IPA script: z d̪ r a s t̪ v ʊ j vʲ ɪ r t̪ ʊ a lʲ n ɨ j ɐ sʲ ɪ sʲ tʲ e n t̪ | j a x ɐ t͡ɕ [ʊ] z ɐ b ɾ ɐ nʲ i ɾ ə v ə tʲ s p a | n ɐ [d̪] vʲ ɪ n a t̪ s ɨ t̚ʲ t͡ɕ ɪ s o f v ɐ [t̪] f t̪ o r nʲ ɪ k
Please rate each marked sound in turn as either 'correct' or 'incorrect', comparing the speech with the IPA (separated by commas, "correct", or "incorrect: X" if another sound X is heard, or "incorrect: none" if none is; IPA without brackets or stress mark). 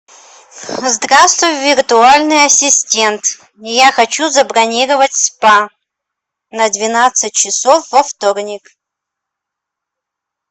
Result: incorrect: u, correct, incorrect: none